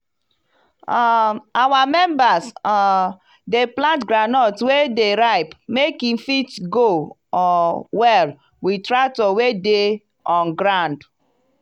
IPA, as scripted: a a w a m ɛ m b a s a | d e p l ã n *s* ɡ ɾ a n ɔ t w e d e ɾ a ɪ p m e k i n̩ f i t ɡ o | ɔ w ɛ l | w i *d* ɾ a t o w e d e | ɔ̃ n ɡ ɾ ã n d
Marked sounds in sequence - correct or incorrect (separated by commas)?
incorrect, incorrect